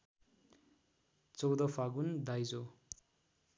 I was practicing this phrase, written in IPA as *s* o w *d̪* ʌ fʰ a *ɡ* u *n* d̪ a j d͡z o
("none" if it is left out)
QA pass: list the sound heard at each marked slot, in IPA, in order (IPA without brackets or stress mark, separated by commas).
t͡s, d̪, ɡ, n